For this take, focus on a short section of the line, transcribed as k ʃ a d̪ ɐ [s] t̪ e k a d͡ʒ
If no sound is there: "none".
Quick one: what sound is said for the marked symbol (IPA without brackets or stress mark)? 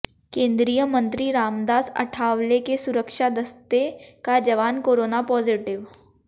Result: s